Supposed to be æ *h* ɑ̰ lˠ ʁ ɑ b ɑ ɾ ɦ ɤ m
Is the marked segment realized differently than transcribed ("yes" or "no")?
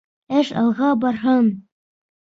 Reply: yes